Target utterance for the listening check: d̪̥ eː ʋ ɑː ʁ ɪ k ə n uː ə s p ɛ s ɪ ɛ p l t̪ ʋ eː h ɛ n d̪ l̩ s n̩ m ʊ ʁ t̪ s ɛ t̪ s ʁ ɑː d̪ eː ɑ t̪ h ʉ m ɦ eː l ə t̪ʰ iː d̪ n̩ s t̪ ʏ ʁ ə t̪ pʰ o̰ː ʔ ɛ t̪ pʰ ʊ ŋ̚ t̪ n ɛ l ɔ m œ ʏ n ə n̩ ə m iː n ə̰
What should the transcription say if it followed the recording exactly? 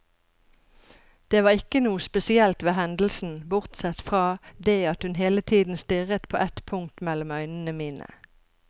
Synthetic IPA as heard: d̪̥ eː ʋ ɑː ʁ ɪ k ə n uː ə s p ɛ s ɪ ɛ l t̪ ʋ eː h ɛ n d̪ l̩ s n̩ b ʊ ʁ t̪ s ɛ t̪ f ʁ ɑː d̪ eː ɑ t̪ h ʉ n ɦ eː l ə t̪ʰ iː d̪ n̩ s t̪ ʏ ʁ ə t̪ pʰ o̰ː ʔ ɛ t̪ pʰ ʊ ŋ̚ t̪ m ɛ l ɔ m œ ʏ n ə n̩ ə m iː n ə̰